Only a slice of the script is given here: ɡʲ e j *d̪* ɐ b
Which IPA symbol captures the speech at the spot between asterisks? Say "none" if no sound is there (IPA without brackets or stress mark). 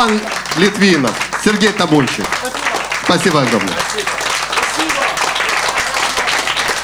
t̪